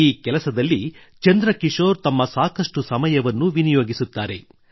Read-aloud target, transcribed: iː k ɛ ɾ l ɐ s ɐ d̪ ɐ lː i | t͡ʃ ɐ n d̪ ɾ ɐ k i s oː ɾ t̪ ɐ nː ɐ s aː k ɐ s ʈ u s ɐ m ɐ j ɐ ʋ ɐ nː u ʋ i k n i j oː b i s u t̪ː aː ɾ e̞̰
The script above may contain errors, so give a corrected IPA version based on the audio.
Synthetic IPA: iː k ɛ l ɐ s ɐ d̪ ɐ lː i | t͡ʃ ɐ n d̪ ɾ ɐ k i ʂ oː ɾ t̪ ɐ mː ɐ s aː k ɐ ʂ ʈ u s ɐ m ɐ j ɐ ʋ ɐ nː u ʋ i n i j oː ɡ i s u t̪ː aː ɾ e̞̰